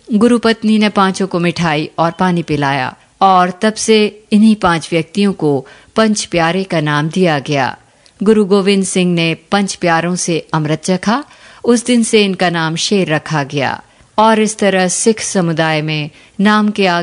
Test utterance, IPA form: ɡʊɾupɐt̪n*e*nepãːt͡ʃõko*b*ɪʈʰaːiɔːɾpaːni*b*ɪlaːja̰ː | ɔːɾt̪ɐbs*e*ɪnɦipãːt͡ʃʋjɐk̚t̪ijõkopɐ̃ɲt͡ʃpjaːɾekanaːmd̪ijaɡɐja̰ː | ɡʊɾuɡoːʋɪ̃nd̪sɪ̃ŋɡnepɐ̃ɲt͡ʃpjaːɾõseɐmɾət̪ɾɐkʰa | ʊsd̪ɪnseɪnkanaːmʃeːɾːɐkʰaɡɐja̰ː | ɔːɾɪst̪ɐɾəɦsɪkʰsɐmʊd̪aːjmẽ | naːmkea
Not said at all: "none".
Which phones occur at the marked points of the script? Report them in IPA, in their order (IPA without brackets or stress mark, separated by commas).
i, m, p, e